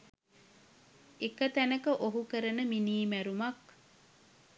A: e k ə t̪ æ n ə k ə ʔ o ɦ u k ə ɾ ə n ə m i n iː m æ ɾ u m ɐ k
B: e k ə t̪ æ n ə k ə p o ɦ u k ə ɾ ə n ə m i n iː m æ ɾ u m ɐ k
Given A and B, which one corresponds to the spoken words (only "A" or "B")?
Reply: A